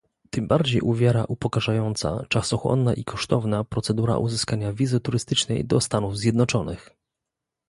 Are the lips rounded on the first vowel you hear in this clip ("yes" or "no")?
no